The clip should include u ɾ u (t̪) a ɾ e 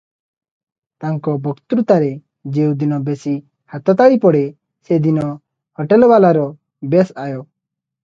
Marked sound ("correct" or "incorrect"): correct